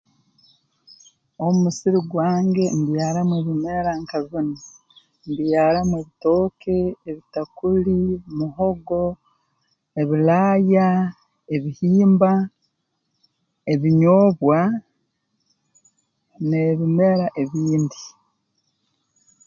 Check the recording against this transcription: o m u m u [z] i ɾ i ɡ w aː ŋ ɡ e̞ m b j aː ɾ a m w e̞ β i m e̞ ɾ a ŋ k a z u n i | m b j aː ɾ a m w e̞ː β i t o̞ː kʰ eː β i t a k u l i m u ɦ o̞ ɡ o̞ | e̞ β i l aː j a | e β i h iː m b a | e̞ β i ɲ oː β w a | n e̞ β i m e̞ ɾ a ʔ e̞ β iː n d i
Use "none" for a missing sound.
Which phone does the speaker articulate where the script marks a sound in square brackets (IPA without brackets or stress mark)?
s